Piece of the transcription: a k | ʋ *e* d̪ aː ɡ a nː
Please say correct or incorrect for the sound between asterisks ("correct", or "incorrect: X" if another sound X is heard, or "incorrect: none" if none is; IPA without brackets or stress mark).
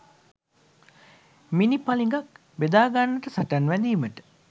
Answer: correct